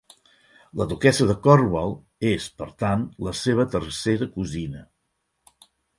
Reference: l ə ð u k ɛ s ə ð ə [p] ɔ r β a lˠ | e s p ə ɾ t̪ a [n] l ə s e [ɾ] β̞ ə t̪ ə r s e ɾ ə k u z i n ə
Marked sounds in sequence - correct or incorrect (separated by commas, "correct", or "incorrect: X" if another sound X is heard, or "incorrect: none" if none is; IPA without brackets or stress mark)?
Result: incorrect: k, correct, incorrect: none